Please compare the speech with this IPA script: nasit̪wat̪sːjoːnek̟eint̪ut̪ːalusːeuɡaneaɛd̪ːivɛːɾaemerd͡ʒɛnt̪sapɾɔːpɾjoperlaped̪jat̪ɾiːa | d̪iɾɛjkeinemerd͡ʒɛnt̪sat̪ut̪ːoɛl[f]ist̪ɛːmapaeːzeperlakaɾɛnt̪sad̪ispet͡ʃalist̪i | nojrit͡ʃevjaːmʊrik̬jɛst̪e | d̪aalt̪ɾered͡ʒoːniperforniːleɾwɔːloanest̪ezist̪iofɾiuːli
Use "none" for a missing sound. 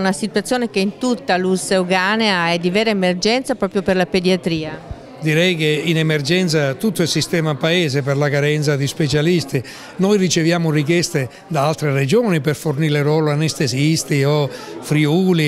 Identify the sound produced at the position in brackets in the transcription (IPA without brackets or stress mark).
s